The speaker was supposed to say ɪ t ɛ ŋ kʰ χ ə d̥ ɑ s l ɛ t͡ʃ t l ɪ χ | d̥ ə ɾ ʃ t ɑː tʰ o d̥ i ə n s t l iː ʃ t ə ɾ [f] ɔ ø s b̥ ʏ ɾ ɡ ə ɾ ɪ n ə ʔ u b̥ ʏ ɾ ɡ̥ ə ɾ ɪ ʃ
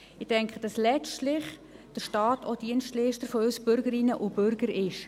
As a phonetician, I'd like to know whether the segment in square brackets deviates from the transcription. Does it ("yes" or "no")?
no